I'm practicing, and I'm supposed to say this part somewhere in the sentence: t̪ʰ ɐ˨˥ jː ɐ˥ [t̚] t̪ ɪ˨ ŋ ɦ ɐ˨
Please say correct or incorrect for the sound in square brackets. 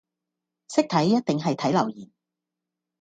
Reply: correct